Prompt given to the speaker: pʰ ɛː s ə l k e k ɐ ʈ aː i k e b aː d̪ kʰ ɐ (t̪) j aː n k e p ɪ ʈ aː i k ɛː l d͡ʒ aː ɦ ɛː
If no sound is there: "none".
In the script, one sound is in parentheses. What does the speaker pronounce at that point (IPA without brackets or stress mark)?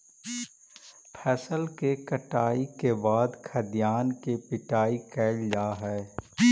d̪